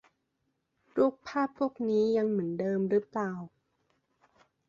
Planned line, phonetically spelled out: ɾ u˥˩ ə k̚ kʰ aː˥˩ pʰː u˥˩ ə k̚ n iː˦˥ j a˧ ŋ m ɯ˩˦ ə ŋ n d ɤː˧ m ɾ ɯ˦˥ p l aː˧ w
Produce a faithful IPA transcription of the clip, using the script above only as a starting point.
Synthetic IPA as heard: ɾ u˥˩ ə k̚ pʰ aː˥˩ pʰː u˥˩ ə k̚ n iː˦˥ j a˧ ŋ m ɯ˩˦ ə n d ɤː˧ m ɾ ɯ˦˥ p l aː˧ w